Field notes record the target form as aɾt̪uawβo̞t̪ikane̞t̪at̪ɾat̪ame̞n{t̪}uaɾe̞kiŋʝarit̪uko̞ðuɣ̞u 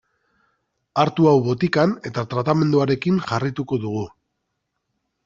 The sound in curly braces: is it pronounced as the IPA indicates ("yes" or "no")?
no